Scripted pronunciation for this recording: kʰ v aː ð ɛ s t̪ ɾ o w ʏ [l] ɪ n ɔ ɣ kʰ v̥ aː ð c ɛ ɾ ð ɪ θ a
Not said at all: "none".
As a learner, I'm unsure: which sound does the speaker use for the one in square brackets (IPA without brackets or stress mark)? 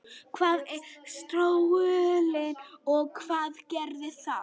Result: l